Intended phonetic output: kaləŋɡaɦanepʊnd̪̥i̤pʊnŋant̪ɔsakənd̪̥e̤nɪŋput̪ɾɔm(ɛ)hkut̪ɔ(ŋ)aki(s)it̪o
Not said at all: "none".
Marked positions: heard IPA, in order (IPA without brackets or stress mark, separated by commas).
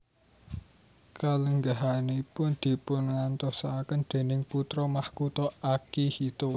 a, none, h